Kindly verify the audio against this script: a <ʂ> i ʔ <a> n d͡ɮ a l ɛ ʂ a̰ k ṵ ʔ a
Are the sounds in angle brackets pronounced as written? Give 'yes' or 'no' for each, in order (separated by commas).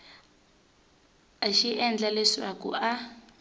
no, no